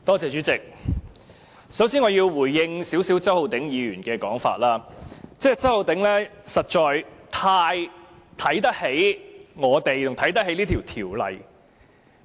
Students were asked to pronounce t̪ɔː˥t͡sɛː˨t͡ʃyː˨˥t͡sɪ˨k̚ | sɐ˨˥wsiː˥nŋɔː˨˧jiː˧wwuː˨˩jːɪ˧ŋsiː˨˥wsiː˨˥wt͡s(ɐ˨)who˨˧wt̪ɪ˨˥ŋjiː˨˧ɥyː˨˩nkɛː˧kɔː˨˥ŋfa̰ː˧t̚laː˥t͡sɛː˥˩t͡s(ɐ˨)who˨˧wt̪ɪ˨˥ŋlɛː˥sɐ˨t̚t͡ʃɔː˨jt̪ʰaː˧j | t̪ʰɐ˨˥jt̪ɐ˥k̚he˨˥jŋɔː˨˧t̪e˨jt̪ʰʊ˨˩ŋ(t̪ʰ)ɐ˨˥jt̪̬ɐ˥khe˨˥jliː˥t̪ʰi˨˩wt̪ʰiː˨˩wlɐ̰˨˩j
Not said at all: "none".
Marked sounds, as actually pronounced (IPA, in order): ɐ˥, ɐ˥, t̪ʰ

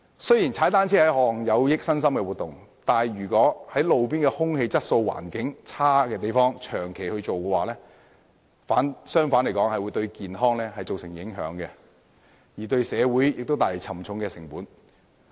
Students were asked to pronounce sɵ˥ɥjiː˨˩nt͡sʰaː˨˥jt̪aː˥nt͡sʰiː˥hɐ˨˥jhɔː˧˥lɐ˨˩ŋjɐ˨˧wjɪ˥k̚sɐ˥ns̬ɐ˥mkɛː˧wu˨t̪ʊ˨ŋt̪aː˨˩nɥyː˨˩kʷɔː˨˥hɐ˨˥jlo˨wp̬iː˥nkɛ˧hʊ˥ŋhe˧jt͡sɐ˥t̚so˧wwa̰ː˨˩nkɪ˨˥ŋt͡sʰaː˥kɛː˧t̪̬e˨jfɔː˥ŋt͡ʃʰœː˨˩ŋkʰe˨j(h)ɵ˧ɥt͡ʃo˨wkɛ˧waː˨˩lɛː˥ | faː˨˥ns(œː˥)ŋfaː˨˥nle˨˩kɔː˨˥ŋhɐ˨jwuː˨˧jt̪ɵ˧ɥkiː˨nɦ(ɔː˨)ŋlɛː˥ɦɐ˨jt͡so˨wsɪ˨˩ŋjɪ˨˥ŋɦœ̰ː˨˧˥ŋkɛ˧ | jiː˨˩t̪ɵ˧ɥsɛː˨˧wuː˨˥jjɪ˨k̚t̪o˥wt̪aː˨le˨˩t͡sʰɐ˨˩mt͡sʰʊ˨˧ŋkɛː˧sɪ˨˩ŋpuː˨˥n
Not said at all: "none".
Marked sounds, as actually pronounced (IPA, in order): h, œː˥, ɔː˥

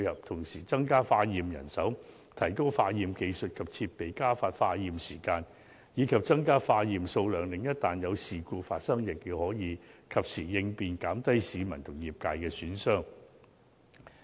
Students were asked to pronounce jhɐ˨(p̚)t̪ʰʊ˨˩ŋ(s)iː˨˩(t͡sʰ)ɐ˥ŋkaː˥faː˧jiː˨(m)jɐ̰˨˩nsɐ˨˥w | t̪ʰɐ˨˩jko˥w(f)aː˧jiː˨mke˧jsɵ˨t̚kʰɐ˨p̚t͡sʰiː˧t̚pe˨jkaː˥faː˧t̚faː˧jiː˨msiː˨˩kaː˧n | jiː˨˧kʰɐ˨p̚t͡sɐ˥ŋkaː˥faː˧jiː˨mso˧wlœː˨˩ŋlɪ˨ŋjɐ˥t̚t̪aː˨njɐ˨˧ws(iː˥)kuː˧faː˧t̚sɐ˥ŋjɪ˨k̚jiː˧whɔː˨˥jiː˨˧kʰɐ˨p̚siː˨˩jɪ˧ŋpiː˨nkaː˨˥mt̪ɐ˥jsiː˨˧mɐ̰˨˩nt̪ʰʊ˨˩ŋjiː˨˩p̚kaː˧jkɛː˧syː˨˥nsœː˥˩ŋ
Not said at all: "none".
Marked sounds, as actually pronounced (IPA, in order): p̚, s, t͡s, m, f, iː˨

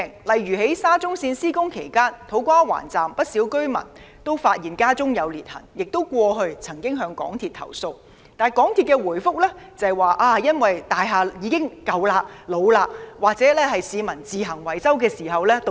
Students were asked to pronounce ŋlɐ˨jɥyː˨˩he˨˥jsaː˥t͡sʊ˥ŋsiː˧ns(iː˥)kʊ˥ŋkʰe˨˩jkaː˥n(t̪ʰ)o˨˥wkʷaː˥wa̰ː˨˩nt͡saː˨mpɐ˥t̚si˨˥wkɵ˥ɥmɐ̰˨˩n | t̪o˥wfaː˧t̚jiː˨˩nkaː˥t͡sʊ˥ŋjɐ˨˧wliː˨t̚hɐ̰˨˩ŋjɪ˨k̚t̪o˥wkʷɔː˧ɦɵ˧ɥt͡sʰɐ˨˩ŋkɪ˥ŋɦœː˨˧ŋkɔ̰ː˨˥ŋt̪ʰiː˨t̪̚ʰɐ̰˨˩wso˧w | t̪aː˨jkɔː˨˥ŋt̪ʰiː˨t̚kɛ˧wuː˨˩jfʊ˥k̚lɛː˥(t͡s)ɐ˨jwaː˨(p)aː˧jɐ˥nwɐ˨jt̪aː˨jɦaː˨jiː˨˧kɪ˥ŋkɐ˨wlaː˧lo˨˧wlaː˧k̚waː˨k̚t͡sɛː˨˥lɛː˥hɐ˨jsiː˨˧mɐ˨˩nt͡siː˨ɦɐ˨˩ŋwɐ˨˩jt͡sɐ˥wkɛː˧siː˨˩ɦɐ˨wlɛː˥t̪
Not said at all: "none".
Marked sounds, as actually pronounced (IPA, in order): iː˥, t̪ʰ, t͡s, ʔ

